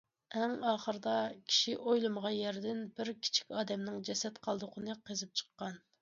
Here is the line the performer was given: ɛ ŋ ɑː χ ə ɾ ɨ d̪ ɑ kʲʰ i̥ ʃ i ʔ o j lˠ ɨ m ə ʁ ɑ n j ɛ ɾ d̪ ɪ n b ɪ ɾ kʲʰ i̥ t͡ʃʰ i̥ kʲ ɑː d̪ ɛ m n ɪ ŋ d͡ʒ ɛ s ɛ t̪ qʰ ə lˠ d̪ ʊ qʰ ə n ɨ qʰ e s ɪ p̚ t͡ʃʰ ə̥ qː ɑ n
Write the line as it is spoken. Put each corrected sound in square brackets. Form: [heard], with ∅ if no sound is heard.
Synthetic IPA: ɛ ŋ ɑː χ ə ɾ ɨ d̪ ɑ kʲʰ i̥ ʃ i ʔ o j lˠ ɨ m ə ʁ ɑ n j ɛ ɾ d̪ ɪ n b ɪ ɾ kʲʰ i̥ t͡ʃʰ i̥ kʲ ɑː d̪ ɛ m n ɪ ŋ d͡ʒ ɛ s ɛ t̪ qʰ [ɑ] lˠ d̪ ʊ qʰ ə n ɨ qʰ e [z] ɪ p̚ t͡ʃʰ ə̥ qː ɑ n